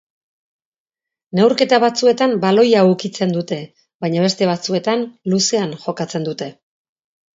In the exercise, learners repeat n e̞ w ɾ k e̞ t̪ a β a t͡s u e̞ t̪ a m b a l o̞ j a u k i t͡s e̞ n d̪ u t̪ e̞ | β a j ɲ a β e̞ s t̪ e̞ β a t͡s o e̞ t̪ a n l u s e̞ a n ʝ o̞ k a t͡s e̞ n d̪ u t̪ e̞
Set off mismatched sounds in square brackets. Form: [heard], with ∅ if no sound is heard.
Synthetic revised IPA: n e̞ w ɾ k e̞ t̪ a β a t͡s u e̞ t̪ a m b a l o̞ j a u k i t͡s e̞ n d̪ u t̪ e̞ | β a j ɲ a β e̞ s t̪ e̞ β a t͡s [u] e̞ t̪ a n l u s e̞ a n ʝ o̞ k a t͡s e̞ n d̪ u t̪ e̞